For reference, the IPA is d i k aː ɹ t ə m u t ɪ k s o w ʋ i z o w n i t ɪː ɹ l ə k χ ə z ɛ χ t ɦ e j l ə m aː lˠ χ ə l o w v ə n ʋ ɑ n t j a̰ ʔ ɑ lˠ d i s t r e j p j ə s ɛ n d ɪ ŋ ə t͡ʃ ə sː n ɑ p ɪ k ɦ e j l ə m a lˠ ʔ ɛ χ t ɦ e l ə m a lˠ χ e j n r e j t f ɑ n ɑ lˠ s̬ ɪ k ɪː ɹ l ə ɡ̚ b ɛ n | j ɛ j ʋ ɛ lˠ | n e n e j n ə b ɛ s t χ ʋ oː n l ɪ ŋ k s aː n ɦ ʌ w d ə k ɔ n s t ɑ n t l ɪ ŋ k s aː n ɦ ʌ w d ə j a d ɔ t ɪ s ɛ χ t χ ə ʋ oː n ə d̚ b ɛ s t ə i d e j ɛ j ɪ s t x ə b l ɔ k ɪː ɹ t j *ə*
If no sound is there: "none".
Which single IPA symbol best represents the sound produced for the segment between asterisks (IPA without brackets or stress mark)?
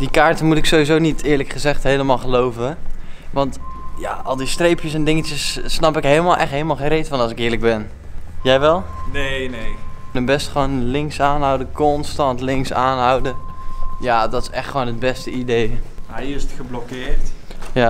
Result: a